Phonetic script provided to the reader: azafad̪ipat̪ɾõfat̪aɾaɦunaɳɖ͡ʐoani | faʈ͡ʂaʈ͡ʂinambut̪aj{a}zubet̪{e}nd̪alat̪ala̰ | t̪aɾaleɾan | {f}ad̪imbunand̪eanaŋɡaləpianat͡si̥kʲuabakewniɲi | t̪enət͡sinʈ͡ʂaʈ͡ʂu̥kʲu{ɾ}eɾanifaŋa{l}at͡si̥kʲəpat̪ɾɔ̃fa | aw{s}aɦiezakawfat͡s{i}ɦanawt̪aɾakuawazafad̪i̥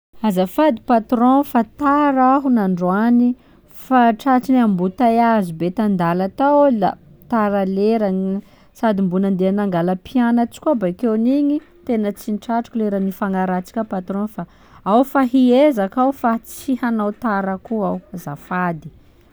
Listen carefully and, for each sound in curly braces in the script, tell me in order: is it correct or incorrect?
correct, incorrect: a, incorrect: s, incorrect: l, incorrect: ɾ, incorrect: f, correct

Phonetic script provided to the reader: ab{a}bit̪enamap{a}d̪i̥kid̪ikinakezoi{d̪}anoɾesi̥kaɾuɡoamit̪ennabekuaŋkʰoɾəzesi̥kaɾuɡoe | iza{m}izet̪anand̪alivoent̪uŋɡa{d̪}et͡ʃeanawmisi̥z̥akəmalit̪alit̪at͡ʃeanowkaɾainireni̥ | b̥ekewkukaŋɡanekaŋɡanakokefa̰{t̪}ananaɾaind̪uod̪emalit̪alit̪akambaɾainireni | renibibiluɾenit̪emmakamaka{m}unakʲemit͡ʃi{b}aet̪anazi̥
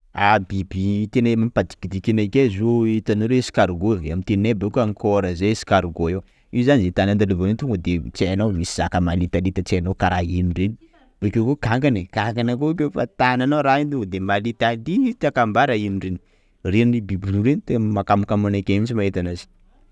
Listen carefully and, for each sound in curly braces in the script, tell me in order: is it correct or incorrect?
incorrect: i, correct, incorrect: t̪, incorrect: n, correct, correct, correct, incorrect: m

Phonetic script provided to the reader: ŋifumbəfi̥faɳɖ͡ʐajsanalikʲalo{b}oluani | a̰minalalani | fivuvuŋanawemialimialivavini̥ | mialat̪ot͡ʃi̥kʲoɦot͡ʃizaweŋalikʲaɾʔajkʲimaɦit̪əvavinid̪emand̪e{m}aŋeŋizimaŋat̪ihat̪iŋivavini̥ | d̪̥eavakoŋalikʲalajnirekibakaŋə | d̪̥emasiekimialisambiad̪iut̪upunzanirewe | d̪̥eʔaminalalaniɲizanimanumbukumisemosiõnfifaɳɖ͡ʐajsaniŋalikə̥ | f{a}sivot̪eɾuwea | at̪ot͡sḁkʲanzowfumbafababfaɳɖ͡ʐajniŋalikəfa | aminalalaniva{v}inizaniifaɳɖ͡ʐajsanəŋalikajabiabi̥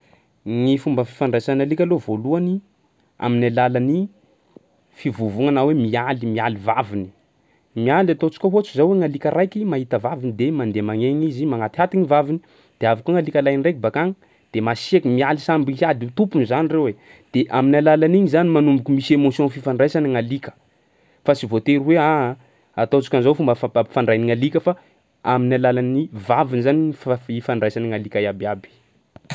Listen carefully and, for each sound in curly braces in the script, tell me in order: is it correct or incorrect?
incorrect: v, correct, correct, correct

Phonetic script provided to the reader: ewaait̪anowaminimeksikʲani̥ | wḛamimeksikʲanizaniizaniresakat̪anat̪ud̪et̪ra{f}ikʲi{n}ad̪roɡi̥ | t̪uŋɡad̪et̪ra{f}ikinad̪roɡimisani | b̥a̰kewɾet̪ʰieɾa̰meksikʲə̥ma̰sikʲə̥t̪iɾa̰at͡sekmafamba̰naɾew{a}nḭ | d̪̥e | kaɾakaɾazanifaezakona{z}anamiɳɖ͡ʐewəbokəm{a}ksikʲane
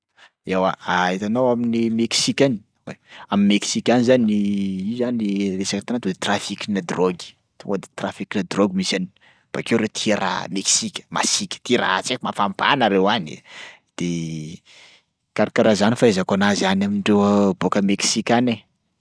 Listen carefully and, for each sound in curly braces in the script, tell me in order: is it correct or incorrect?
correct, correct, correct, correct, correct, incorrect: e

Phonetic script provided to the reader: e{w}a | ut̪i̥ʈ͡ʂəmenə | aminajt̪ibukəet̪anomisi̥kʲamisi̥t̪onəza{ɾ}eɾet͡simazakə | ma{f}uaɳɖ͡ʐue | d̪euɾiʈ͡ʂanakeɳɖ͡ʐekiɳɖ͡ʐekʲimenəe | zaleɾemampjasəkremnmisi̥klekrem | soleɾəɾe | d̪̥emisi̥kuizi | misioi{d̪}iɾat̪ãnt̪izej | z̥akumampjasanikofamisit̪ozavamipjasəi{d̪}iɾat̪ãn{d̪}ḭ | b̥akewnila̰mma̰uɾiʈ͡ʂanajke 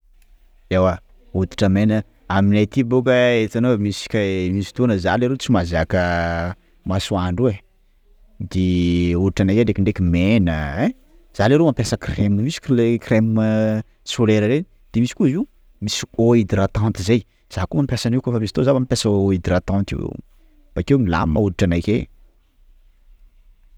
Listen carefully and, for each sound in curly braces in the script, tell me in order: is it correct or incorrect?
correct, incorrect: l, incorrect: s, correct, correct, incorrect: t̪

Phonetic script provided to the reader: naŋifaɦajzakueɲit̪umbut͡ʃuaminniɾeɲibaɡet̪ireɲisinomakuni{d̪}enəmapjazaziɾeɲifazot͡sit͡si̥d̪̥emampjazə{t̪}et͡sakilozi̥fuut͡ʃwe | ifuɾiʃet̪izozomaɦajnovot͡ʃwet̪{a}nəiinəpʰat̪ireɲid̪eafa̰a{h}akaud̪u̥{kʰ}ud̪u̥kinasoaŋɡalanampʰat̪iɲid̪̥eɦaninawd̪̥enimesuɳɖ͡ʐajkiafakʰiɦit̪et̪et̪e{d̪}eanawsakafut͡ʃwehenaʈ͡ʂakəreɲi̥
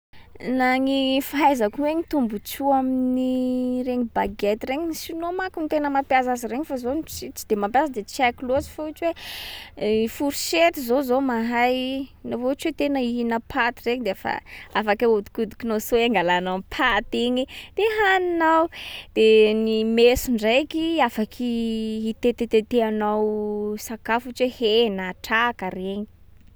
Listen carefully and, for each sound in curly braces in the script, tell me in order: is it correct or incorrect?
incorrect: t̪, incorrect: d̪, incorrect: e, incorrect: f, incorrect: k, incorrect: t̪

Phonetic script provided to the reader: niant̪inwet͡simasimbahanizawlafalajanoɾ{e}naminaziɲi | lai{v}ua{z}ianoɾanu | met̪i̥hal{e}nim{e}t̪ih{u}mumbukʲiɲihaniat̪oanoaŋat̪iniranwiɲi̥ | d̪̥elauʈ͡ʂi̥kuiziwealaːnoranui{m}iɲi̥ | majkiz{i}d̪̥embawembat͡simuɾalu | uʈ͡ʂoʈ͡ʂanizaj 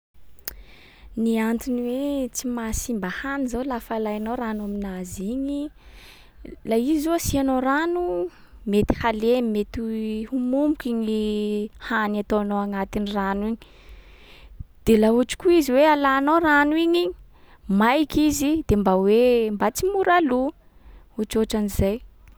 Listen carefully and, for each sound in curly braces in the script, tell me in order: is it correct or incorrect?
incorrect: a, incorrect: z, incorrect: s, correct, correct, correct, incorrect: ɲ, correct

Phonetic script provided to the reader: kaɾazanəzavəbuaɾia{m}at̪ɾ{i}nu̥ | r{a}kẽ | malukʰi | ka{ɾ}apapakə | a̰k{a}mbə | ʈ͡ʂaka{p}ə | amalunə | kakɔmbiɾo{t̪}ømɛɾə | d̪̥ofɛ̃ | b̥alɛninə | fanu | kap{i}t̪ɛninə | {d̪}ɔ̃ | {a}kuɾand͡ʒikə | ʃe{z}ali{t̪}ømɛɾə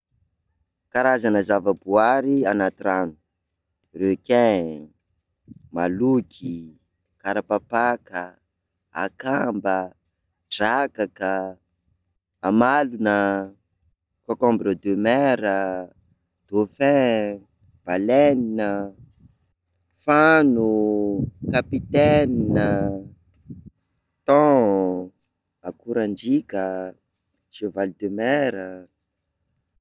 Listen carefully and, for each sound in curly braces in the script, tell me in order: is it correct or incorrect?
incorrect: n, incorrect: a, incorrect: e, correct, correct, incorrect: k, incorrect: d̪, correct, incorrect: t̪, correct, incorrect: v, incorrect: d̪

